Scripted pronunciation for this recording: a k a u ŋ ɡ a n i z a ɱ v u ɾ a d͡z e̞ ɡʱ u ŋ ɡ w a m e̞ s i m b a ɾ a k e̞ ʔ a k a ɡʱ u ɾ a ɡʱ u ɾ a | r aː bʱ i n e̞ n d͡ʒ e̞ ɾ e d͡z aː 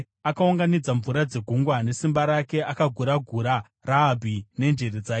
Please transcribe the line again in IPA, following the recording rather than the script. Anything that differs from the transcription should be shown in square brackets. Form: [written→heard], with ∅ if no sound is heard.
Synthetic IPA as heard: a k a u ŋ ɡ a n i [z→d͡z] a ɱ v u ɾ a d͡z e̞ ɡʱ u ŋ ɡ w a [m→n] e̞ s i m b a ɾ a k e̞ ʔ a k a ɡʱ u ɾ a ɡʱ u ɾ a | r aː bʱ i n e̞ n d͡ʒ e̞ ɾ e d͡z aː